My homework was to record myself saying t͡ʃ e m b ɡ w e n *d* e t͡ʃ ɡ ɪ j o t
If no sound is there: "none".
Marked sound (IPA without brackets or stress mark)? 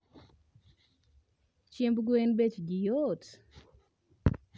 b